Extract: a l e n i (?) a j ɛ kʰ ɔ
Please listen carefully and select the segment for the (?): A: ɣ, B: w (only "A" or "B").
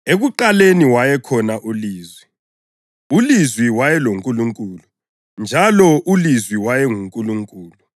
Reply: B